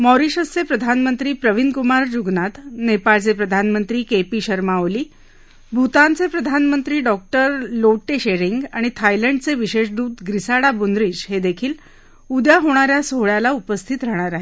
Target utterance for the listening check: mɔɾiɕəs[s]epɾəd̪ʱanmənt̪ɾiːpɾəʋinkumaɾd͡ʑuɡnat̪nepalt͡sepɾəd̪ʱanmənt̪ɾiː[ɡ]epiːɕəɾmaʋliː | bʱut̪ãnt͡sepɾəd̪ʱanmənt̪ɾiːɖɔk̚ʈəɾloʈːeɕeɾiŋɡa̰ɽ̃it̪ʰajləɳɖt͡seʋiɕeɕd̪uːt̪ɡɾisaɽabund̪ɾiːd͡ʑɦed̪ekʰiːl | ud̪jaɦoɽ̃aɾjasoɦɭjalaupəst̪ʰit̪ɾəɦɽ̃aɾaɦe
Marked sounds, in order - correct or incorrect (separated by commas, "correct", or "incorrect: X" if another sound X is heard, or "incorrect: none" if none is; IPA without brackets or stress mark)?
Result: incorrect: t͡s, incorrect: k